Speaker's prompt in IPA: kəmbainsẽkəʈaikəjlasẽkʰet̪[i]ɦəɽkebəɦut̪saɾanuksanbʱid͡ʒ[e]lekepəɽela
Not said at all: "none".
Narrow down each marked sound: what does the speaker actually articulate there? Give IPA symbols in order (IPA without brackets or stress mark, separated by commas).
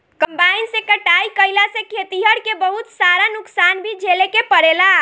i, e